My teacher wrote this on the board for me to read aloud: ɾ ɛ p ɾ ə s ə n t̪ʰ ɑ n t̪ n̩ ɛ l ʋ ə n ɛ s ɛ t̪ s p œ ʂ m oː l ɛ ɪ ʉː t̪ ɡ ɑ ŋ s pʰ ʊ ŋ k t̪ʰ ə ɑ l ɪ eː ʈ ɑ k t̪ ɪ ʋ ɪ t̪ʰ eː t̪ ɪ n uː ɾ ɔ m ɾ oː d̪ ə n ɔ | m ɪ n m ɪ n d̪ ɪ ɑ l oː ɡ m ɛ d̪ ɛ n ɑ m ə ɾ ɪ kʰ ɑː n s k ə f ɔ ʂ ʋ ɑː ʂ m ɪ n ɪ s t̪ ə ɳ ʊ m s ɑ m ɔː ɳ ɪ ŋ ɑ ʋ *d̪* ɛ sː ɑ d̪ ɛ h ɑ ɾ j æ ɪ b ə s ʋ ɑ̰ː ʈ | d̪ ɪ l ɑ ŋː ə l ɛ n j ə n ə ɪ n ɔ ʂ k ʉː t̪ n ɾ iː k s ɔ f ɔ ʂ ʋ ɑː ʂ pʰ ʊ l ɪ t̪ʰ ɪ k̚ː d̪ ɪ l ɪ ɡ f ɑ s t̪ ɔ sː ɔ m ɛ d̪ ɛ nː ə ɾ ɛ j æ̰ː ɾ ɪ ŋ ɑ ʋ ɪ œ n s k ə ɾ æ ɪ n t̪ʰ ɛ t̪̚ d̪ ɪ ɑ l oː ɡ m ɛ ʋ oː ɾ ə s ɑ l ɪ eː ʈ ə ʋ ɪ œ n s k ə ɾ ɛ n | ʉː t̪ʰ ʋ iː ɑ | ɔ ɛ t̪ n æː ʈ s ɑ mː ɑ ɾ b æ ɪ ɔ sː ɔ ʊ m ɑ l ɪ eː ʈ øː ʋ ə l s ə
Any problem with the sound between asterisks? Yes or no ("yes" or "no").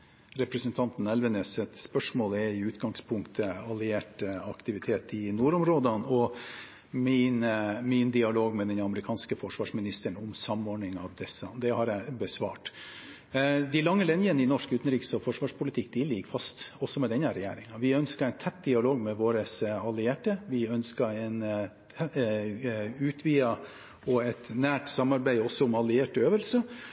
no